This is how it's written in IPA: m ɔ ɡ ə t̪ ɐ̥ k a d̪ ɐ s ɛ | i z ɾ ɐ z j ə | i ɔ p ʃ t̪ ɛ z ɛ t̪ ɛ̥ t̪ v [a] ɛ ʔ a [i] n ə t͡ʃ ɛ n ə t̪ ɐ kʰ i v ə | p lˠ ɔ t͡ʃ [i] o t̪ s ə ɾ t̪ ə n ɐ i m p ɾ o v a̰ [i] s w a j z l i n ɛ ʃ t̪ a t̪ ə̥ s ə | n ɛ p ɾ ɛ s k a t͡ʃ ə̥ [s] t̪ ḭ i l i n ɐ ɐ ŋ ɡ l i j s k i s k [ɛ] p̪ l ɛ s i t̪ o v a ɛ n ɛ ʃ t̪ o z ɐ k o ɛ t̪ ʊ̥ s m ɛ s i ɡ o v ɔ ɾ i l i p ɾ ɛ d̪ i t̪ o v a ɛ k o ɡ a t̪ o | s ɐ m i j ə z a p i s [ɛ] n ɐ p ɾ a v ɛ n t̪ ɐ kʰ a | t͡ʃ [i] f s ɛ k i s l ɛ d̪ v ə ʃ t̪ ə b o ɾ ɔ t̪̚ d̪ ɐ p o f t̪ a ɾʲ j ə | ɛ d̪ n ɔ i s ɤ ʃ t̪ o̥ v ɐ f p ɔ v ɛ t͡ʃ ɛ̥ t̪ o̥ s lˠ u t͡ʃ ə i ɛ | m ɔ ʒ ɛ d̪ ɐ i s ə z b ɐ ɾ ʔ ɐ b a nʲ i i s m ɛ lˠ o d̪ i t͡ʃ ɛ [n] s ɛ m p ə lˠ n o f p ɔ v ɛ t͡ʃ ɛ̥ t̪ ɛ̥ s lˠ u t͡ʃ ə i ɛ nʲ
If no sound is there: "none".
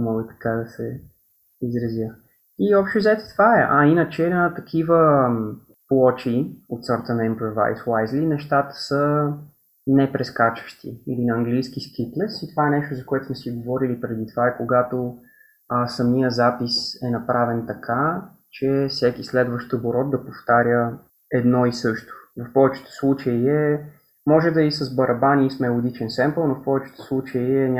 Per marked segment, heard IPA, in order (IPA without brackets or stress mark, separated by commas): a, i, i, j, ʃ, i, ɛ, ɛ, n